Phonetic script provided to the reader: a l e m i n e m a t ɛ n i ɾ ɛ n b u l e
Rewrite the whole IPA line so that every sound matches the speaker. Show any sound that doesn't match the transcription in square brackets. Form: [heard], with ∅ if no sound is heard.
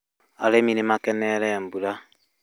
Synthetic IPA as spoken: a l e m i n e m a [k] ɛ n [ɛ] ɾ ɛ [m] b u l [a]